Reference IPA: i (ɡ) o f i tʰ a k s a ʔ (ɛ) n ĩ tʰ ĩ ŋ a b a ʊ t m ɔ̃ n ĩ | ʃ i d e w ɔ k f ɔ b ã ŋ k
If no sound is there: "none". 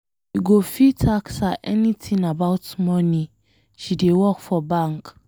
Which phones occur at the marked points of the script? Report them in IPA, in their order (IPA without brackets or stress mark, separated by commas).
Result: ɡ, ɛ